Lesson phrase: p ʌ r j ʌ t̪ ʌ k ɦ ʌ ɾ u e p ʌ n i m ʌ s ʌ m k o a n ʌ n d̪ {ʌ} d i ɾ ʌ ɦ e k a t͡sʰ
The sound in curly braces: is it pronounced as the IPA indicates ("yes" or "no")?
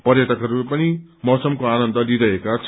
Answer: yes